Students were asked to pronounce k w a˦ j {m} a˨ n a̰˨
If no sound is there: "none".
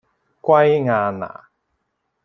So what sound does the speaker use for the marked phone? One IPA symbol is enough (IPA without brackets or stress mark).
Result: ŋ